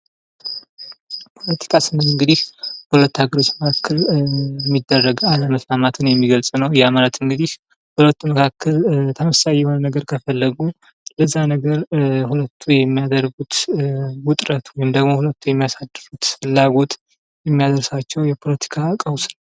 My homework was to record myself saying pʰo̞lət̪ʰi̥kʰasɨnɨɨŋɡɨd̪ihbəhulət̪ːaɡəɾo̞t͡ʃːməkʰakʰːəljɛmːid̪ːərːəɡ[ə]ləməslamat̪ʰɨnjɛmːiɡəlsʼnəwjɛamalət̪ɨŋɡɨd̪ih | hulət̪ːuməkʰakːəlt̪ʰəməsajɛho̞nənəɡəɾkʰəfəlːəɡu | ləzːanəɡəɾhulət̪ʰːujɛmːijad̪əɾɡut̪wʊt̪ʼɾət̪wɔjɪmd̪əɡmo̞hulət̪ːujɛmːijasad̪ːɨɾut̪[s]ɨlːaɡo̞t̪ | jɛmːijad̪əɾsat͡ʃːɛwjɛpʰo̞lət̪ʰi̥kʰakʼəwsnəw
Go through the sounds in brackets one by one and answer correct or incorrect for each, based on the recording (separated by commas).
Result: incorrect, incorrect